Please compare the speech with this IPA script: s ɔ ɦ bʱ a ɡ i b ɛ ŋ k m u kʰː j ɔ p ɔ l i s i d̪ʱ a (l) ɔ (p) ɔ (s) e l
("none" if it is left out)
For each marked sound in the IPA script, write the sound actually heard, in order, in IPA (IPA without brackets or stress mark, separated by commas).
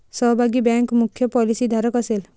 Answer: ɾ, k, s